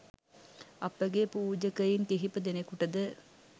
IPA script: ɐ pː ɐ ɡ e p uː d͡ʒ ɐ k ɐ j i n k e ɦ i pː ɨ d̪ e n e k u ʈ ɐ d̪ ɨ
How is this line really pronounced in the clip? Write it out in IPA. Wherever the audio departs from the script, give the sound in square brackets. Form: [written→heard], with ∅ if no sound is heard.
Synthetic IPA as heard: ɐ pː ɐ ɡ e p uː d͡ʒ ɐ k ɐ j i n k e ɦ i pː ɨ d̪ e n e k u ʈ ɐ d̪ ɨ